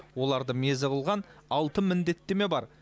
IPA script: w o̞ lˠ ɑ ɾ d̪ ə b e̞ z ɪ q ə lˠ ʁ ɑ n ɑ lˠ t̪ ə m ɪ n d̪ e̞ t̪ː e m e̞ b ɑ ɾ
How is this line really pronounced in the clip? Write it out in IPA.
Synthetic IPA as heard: w o̞ lˠ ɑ ɾ d̪ ə m e̞ z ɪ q ə lˠ ʁ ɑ n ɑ lˠ t̪ ə m ɪ n d̪ e̞ t̪ː e m e̞ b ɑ ɾ